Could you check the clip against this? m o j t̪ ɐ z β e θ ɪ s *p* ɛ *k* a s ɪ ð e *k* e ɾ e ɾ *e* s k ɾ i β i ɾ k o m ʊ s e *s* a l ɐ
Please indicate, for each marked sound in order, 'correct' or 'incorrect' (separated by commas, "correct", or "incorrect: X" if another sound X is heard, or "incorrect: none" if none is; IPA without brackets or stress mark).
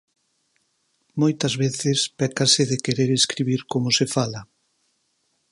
correct, correct, correct, correct, incorrect: f